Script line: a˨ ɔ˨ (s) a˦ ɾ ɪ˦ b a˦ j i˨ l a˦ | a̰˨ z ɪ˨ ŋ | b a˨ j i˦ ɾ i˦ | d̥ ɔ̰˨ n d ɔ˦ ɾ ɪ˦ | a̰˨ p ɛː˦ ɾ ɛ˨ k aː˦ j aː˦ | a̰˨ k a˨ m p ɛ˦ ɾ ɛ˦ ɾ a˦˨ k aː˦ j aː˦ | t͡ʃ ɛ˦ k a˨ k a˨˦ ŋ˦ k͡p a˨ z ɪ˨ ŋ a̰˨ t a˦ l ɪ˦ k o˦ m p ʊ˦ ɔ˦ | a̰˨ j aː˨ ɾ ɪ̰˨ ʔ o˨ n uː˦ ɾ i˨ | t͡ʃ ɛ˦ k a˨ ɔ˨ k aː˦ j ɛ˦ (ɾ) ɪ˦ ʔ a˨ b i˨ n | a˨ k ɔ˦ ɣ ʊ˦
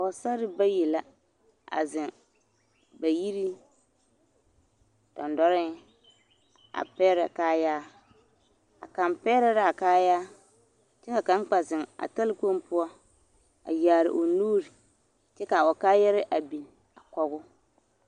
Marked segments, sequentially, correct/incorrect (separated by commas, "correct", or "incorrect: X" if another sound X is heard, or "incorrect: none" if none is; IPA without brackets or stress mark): correct, correct